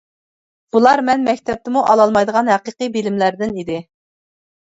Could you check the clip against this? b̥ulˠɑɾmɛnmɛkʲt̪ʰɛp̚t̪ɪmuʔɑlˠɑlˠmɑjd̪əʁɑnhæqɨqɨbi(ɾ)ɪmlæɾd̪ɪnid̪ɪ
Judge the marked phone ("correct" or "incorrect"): incorrect